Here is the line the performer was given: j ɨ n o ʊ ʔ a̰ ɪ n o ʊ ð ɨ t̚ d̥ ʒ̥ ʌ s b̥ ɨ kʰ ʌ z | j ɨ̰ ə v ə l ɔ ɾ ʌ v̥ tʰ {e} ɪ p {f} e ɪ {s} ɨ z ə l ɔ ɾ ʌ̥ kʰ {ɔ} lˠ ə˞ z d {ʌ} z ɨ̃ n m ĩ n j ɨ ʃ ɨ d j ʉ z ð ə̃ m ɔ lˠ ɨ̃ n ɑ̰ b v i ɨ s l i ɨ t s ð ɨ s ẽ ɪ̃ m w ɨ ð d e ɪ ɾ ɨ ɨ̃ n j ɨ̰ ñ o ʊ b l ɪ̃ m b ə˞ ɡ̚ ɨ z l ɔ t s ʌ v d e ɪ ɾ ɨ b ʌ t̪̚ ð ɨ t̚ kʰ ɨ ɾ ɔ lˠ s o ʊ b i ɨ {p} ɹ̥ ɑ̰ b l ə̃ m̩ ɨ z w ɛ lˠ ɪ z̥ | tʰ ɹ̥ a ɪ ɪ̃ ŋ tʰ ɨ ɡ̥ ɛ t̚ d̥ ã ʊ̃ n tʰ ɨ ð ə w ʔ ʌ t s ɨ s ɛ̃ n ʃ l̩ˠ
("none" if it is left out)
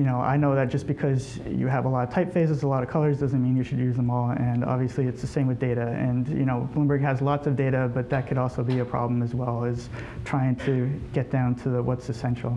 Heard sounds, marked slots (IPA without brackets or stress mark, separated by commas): a, f, z, ʌ, ʌ, pʰ